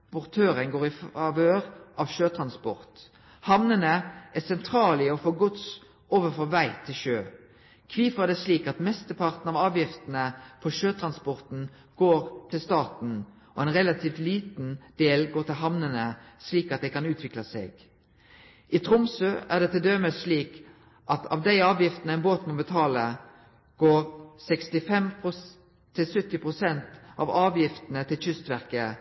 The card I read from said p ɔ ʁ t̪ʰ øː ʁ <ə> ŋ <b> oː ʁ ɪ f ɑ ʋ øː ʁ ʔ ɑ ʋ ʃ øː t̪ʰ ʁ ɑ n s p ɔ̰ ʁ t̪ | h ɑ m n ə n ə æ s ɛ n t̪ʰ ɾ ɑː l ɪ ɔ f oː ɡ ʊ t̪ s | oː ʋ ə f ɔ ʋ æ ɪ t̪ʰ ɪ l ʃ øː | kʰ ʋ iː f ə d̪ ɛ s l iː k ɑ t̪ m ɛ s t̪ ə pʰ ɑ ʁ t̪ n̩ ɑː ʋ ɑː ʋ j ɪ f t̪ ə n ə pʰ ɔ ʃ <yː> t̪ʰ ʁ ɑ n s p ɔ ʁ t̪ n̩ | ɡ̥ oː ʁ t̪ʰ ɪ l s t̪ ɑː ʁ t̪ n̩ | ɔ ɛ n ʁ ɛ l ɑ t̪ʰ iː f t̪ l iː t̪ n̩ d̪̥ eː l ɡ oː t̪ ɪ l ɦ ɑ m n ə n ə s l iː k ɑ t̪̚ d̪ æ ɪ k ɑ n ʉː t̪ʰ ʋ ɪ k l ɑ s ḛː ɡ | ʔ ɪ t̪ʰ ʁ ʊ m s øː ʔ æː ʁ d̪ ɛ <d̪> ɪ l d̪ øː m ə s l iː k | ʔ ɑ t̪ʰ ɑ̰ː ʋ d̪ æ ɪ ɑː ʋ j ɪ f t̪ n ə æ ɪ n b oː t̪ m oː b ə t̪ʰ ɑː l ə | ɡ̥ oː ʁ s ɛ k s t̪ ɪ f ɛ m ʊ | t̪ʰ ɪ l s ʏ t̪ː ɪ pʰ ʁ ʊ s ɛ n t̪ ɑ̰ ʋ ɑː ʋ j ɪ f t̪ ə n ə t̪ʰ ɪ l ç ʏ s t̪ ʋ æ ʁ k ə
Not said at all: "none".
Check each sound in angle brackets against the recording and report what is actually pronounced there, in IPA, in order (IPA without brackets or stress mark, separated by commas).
ə, ɡ, øː, t̪